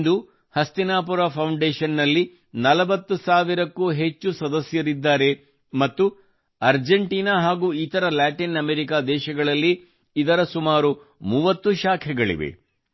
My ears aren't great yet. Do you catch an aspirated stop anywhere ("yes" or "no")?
yes